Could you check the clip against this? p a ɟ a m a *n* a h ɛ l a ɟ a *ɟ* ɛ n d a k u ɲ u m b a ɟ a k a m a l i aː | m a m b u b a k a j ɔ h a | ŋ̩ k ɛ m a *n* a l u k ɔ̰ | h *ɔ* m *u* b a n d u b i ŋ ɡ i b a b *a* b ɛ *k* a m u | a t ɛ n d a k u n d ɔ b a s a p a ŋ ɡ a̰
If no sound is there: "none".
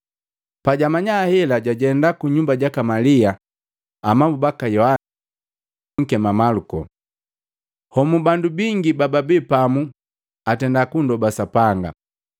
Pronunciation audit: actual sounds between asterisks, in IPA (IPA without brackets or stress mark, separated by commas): ɲ, ɟ, m, ɔ, u, a, p